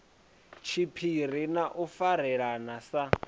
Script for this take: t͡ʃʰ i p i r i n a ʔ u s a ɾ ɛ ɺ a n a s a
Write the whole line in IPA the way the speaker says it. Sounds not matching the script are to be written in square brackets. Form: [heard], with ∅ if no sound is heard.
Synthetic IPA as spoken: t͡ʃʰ i [pʰ] i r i n a ʔ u [f] a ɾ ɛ ɺ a n a s a